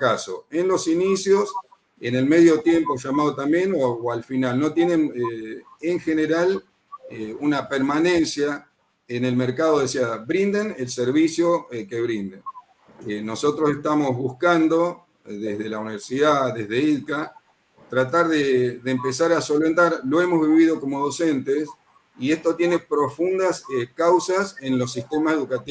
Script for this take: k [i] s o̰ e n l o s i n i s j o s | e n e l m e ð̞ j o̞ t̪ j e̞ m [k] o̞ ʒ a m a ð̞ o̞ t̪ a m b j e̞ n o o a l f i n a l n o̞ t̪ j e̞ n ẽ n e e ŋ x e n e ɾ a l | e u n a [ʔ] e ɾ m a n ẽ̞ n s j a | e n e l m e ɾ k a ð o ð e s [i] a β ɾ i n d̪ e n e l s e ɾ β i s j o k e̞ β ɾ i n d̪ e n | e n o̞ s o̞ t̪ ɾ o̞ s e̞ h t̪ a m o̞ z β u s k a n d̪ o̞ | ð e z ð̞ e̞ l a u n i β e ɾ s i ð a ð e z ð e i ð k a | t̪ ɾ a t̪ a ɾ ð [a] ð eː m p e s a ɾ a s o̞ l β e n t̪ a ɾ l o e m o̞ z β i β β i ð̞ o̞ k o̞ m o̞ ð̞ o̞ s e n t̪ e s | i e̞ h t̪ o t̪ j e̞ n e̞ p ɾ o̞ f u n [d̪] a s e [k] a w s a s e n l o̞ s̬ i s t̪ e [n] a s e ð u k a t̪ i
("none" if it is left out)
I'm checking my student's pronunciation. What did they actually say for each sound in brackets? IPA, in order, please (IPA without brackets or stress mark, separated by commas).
a, p, p, i, e, d̪, k, m